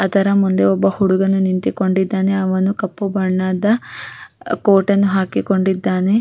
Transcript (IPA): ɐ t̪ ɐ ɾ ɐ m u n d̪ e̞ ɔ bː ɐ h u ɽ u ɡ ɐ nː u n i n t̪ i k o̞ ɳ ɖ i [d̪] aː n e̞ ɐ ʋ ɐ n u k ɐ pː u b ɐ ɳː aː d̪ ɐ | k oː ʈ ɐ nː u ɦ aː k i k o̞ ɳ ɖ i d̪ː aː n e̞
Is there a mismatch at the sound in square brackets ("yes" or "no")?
yes